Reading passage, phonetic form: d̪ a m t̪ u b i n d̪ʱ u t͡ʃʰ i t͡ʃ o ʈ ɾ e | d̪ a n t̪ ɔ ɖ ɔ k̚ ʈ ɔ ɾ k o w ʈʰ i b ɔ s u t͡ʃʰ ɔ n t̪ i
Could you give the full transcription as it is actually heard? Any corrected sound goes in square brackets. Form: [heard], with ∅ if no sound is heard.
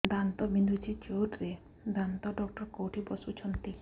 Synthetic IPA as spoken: d̪ a [n] t̪ [ɔ] b i n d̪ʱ u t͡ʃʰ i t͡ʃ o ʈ ɾ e | d̪ a n t̪ ɔ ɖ ɔ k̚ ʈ ɔ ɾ k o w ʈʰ i b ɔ s u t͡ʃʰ ɔ n t̪ i